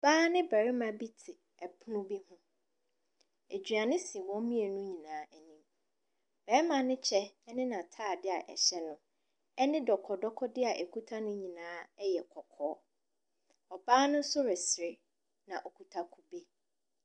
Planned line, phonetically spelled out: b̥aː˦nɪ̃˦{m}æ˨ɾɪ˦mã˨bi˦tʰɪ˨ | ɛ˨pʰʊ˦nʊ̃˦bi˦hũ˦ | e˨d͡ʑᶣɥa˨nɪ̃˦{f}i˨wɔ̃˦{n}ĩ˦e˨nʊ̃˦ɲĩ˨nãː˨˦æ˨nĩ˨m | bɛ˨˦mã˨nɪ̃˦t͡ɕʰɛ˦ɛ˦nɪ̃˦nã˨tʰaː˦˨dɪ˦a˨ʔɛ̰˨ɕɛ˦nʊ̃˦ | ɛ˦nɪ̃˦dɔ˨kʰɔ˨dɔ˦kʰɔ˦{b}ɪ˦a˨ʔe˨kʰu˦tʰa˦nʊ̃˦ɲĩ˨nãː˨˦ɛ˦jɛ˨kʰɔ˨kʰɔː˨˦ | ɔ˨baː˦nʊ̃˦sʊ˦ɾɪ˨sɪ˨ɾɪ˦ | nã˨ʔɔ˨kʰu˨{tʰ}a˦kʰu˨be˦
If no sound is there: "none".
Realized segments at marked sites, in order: b, s, m, d, tʰ

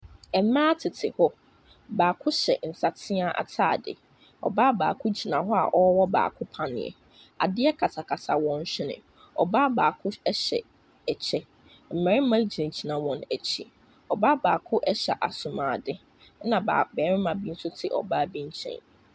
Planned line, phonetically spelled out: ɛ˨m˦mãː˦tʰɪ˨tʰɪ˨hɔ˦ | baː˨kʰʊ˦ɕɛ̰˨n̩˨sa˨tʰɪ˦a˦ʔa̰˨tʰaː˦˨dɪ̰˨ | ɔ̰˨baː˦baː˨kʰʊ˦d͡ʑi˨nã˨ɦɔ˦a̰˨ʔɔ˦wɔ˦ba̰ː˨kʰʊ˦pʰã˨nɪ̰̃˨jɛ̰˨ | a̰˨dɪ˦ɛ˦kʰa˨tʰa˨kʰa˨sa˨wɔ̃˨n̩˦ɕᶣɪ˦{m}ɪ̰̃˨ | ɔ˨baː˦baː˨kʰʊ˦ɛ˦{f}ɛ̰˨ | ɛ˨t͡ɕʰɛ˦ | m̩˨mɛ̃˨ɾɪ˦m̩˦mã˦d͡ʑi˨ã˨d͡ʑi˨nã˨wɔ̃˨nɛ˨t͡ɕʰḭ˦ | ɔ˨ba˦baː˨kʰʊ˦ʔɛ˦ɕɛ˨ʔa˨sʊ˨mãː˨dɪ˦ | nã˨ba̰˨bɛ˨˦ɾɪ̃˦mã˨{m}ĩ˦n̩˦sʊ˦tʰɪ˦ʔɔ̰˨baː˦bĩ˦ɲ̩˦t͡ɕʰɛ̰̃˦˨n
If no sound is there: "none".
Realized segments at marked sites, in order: n, ɕ, b

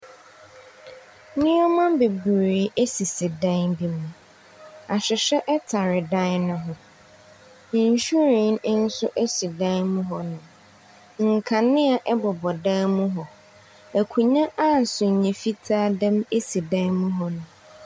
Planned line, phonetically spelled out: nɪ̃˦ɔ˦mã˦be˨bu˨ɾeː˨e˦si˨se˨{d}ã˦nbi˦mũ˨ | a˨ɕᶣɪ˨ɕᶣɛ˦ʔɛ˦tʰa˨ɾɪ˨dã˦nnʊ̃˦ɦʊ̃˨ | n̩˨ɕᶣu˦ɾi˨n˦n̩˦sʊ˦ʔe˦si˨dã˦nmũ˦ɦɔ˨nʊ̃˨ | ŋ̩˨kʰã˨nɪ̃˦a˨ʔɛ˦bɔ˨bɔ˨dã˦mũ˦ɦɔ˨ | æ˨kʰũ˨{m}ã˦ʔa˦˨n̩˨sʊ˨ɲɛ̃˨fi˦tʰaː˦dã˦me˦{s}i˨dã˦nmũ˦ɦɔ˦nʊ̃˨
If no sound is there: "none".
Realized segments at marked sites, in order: d, ɲ, s

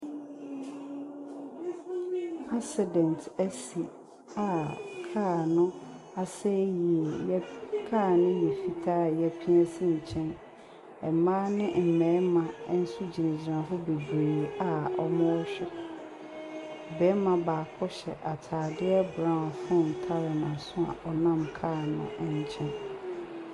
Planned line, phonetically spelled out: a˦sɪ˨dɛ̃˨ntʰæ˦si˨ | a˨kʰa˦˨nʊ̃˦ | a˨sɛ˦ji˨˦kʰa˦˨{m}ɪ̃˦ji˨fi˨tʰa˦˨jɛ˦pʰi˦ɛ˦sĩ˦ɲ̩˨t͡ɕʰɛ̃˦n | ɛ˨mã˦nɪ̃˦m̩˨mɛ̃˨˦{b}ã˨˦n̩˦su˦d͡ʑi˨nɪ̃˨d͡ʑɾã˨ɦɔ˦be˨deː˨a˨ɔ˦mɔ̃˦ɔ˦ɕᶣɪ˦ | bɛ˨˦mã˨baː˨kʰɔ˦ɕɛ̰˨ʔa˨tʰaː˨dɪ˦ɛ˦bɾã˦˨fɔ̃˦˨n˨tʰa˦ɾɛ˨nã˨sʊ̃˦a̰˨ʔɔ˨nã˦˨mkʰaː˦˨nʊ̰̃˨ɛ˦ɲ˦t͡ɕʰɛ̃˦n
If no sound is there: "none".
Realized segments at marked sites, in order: n, m

